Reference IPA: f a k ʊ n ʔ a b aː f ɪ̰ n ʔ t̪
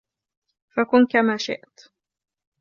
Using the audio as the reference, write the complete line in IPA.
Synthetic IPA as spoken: f a k ʊ n k a m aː ʃ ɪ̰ ʔ t̪